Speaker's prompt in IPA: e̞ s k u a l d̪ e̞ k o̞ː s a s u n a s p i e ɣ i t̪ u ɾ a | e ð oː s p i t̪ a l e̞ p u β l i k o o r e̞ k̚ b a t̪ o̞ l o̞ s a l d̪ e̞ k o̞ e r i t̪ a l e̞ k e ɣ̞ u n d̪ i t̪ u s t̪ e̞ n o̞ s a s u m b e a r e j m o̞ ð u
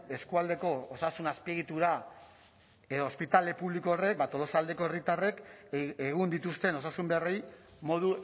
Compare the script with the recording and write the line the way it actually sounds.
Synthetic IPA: e̞ s k u a l d̪ e̞ k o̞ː s a s u n a s p i e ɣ i t̪ u ɾ a | e ð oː s p i t̪ a l e̞ p u β l i k o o r e̞ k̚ b a t̪ o̞ l o̞ s a l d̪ e̞ k o̞ e r i t̪ a r e̞ k e ɣ̞ u n d̪ i t̪ u s t̪ e̞ n o̞ s a s u m b e a r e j m o̞ ð u